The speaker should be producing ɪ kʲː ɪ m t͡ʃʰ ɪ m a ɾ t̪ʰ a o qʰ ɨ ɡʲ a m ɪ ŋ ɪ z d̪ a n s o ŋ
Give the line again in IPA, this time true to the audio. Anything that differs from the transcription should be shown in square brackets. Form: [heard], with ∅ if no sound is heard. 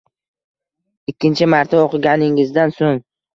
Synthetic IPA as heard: ɪ kʲː ɪ [n] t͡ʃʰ ɪ m a ɾ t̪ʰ a o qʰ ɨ ɡʲ a [n] ɪ ŋ ɪ z d̪ a n s o ŋ

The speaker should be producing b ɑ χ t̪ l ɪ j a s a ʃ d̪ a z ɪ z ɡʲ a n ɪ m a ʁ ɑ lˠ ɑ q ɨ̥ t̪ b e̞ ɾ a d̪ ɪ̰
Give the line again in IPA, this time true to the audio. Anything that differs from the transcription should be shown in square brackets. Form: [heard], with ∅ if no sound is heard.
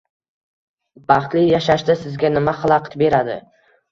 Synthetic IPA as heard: b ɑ χ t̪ l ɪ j a [ʃ] a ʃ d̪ a [s] ɪ z ɡʲ a n ɪ m a [χ] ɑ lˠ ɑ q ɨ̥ t̪ b e̞ ɾ a d̪ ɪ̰

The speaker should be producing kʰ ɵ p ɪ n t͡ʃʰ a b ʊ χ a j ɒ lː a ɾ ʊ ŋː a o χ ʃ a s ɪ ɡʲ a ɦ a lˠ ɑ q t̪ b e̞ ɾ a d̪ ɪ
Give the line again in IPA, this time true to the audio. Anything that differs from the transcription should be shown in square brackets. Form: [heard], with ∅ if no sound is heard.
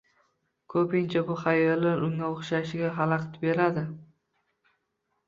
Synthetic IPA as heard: kʰ ɵ p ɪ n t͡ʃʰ a b ʊ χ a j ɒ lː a ɾ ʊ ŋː a o χ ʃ a [ʃ] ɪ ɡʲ a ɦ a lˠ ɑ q t̪ b e̞ ɾ a d̪ ɪ

